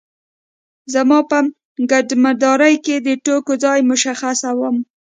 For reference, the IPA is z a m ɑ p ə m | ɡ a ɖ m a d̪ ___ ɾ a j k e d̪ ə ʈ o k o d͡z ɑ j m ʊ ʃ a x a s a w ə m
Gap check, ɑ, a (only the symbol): ɑ